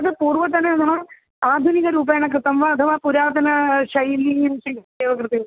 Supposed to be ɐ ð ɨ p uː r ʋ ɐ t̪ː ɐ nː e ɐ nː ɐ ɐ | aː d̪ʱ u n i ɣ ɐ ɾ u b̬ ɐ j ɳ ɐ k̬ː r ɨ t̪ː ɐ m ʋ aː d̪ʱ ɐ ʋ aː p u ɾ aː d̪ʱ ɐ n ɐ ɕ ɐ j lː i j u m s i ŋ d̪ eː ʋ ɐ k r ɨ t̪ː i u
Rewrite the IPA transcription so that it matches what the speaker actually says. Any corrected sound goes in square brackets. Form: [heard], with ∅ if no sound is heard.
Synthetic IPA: ɐ ð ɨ p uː r ʋ ɐ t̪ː ɐ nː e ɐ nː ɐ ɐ | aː d̪ʱ u n i ɣ ɐ ɾ [uː] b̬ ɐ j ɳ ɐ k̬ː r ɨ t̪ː ɐ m ʋ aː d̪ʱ ɐ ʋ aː p u ɾ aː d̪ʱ ɐ n ɐ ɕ ɐ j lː i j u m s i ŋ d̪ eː ʋ ɐ k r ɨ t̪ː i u